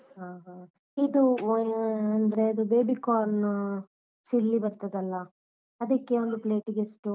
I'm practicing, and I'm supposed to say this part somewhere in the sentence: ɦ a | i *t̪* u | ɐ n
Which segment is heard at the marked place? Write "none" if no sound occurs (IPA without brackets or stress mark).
d̪